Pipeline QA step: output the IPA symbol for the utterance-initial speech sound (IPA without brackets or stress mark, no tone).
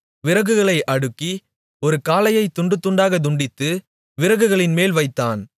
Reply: ʋ